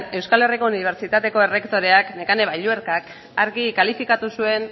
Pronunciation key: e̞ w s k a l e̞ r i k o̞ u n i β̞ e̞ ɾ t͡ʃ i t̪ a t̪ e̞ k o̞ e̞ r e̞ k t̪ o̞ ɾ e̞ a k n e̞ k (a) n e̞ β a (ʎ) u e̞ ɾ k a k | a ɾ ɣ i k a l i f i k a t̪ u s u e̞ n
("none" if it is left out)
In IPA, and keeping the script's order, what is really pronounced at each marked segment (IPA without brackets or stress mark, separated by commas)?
a, ʎ